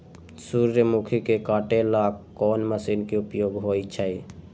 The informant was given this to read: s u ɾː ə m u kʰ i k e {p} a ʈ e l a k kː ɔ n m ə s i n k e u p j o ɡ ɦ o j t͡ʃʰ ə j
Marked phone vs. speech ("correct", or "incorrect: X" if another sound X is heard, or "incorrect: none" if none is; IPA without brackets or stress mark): incorrect: k